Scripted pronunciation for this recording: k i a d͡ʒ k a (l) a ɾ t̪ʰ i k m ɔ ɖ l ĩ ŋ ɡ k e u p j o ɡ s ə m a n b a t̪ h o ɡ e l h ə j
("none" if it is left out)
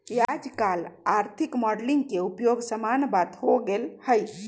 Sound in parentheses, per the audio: l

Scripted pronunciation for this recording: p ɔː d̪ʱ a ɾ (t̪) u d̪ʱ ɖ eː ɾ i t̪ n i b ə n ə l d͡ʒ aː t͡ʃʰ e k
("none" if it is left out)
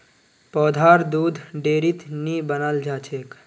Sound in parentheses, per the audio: d̪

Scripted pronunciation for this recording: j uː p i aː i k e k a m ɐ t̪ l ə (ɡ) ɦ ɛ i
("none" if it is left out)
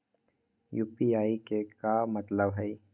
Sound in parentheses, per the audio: b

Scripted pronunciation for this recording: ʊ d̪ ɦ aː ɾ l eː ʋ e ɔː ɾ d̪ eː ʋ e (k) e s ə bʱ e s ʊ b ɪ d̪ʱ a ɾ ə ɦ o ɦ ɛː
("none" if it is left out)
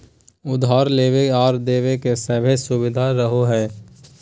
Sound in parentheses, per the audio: k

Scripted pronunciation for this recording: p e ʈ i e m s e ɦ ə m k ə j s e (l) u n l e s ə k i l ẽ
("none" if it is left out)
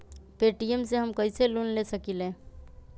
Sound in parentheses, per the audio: l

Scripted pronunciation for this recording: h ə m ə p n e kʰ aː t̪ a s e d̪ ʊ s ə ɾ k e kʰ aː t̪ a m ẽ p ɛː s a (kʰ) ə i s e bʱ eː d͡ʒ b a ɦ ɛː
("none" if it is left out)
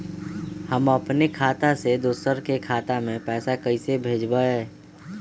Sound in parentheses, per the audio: k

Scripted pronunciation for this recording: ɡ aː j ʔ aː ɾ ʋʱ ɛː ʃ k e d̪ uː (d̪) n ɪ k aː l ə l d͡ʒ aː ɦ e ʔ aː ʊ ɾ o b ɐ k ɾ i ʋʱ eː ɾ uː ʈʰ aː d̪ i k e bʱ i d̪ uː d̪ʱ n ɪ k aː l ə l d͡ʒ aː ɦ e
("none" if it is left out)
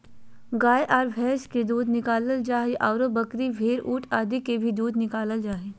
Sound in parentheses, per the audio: d̪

